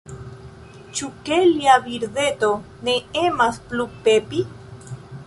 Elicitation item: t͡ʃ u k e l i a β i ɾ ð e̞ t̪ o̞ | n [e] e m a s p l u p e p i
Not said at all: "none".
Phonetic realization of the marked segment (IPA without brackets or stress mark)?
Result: e